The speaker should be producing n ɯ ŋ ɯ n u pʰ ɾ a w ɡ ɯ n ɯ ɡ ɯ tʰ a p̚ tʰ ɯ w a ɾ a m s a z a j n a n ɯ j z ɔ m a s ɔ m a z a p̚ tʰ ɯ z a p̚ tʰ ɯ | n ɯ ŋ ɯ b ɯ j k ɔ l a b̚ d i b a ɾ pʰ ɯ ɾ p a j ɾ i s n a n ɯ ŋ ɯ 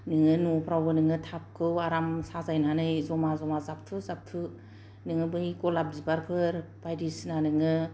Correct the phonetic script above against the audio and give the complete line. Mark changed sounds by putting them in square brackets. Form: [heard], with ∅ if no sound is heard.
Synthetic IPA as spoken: n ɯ ŋ ɯ n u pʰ ɾ a w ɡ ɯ n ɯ [ŋ] ɯ tʰ a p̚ [kʰ] ɯ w a ɾ a m s a z a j n a n ɯ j z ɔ m a [z] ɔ m a z a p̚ tʰ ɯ z a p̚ tʰ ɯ | n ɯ ŋ ɯ b ɯ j k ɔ l a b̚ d i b a ɾ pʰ ɯ ɾ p a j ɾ i s n a n ɯ ŋ ɯ